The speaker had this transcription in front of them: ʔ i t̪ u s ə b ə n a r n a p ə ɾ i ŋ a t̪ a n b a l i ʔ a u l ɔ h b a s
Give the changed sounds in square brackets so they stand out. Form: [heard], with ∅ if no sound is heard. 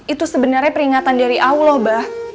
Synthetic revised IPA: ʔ i t̪ u s ə b ə n a r [ɲ] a p ə ɾ i ŋ a t̪ a n [d] a [ɾ] i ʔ a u l ɔ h b a [h]